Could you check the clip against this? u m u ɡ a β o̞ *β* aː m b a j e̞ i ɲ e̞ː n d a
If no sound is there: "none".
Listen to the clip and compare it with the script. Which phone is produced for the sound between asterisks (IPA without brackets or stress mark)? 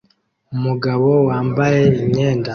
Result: w